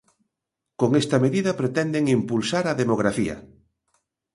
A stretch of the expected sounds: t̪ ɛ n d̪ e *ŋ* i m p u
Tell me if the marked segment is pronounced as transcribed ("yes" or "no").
yes